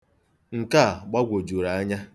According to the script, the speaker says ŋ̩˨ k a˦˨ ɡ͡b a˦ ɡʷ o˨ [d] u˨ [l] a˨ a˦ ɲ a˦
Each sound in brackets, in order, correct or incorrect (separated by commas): incorrect, incorrect